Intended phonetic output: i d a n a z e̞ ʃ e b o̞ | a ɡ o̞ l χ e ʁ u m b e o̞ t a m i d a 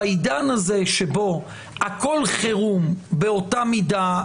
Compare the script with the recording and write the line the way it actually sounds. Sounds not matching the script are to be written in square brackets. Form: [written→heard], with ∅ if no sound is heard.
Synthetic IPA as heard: i d a n a z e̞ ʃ e b o̞ | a [ɡ→k] o̞ l χ e ʁ u m b e o̞ t a m i d a